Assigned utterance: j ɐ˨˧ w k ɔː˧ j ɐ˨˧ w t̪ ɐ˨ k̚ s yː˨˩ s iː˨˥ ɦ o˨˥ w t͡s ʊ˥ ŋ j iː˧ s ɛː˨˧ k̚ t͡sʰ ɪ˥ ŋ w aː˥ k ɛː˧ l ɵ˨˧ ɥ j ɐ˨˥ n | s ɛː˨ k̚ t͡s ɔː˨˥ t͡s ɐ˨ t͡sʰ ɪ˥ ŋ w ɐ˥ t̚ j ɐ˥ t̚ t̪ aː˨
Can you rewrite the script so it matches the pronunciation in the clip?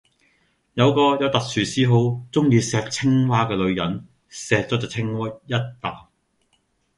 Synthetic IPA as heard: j ɐ˨˧ w k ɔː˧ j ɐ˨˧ w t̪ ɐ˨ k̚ s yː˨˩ s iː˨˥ ɦ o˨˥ w t͡s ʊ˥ ŋ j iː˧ s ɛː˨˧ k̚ t͡sʰ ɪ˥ ŋ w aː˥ k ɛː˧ l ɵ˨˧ ɥ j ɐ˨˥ n | s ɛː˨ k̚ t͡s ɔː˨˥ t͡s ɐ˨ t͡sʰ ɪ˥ ŋ w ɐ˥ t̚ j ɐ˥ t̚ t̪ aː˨